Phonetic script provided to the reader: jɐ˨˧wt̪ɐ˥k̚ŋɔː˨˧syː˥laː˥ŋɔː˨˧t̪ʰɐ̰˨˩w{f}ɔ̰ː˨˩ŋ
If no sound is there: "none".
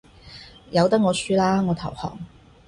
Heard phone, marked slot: h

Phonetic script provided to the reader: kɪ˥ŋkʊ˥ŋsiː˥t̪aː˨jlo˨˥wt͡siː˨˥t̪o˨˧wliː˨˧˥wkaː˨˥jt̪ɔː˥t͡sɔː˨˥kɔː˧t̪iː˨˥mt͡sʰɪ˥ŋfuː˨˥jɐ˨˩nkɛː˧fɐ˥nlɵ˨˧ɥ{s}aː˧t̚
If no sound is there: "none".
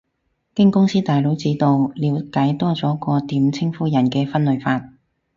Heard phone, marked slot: f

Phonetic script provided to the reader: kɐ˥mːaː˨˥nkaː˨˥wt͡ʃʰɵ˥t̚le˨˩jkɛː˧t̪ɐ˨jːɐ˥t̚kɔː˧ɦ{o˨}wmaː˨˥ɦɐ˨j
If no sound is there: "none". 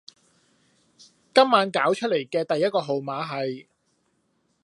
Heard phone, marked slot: o˨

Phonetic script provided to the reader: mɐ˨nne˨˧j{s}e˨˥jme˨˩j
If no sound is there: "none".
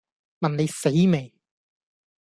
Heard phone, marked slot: s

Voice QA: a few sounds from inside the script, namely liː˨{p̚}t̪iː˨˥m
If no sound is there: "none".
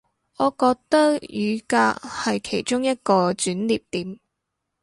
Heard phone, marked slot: p̚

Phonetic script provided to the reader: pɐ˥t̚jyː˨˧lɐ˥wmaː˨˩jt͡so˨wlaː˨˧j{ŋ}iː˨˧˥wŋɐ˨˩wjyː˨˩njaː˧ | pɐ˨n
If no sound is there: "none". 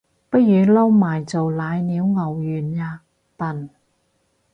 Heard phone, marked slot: n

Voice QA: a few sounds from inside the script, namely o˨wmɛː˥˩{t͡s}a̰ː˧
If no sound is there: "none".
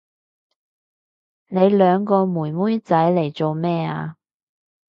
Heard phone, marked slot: none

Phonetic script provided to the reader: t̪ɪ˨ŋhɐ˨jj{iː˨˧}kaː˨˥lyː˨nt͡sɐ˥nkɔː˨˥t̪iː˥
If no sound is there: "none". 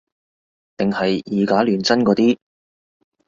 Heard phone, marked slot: iː˨˧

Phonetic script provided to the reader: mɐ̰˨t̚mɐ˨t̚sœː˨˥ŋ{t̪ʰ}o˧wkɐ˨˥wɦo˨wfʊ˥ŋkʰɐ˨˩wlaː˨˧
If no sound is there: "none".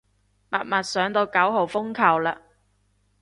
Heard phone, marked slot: t̪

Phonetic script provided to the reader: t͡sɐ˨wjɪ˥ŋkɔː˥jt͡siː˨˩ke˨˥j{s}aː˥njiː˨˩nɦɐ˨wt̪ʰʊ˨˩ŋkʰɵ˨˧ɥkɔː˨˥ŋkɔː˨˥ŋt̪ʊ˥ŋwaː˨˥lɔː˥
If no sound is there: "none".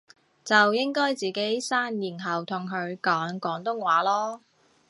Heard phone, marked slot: s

